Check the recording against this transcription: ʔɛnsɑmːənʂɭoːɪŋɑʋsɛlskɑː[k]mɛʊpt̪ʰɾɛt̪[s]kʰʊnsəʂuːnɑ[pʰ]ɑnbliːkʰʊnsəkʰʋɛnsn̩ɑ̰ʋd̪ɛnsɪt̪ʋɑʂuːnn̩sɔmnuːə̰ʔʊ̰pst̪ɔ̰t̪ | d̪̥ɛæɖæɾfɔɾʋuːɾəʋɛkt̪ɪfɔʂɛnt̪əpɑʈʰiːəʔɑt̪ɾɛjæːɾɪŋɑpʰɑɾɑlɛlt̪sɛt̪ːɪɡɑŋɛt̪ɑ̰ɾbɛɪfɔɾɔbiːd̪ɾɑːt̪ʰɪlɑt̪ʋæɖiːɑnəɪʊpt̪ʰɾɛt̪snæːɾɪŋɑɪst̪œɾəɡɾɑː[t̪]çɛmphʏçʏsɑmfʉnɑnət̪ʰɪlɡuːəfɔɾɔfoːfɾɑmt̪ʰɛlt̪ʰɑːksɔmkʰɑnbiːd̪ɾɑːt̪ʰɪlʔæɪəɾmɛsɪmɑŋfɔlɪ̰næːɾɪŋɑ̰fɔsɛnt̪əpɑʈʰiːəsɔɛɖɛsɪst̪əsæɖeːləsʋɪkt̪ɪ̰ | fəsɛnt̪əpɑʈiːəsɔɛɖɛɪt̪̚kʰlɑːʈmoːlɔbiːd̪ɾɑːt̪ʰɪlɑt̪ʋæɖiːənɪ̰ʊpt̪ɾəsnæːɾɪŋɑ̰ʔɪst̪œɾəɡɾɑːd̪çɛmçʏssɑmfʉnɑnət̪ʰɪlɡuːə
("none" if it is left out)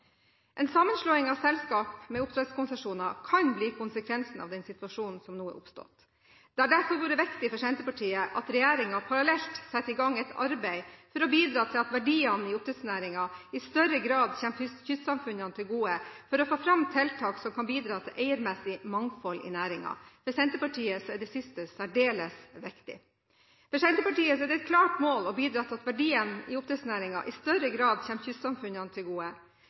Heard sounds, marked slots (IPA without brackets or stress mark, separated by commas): p, s, kʰ, d̪